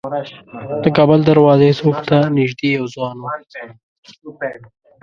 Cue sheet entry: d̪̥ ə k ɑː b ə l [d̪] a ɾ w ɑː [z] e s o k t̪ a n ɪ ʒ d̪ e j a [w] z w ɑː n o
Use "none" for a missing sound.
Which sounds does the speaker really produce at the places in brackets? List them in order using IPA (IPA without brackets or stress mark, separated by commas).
d̪, z, w